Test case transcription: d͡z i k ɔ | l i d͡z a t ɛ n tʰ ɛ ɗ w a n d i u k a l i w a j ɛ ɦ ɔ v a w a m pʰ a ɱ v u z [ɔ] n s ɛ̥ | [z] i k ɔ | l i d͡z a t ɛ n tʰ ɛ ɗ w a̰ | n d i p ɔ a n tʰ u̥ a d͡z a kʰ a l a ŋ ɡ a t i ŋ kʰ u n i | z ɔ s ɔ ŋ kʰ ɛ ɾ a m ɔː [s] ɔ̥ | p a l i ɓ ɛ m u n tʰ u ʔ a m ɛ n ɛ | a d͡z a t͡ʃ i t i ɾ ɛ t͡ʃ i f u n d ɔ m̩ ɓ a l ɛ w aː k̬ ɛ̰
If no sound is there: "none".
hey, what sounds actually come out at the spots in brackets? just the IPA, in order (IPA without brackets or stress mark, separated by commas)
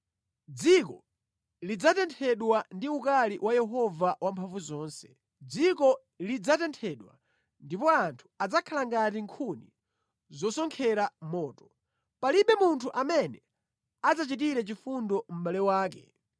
ɔː, d͡z, t